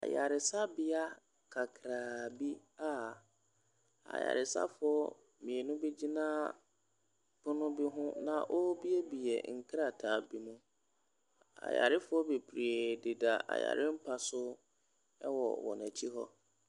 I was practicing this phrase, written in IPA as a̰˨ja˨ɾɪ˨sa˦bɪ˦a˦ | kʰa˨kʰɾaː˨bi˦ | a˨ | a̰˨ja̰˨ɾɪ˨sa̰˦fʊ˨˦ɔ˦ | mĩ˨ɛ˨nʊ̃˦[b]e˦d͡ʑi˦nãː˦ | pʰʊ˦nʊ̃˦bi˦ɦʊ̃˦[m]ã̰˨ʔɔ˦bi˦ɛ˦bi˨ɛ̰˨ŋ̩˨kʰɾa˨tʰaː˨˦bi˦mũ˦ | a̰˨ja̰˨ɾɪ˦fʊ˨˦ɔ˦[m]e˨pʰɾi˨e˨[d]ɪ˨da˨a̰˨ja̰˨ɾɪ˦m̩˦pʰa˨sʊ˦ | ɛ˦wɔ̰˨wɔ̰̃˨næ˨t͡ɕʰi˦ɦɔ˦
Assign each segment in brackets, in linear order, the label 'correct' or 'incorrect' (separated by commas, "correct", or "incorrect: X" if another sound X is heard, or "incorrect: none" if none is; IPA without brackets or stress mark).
correct, incorrect: n, incorrect: b, correct